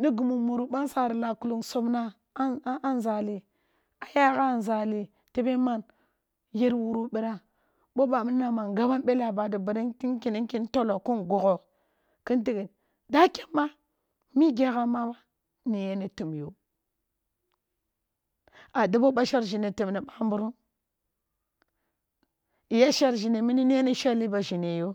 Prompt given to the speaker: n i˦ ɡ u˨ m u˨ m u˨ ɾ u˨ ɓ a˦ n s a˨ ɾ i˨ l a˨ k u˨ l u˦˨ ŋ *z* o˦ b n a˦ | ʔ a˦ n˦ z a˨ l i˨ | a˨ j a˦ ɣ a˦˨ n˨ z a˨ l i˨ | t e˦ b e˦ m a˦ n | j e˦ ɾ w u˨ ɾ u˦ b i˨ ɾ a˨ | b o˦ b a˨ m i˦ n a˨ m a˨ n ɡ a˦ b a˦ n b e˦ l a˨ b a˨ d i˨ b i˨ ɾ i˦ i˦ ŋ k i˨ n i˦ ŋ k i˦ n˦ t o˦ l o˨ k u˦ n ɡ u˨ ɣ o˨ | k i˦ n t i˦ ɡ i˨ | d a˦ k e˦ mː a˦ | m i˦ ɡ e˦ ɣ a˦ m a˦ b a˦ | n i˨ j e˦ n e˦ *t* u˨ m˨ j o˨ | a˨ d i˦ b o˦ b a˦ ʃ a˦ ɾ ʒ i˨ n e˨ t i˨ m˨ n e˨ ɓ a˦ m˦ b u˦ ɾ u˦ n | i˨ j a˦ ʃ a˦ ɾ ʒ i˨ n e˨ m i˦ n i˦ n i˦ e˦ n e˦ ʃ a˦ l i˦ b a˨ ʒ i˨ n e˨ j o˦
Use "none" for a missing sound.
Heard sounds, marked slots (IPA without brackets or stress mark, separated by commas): s, t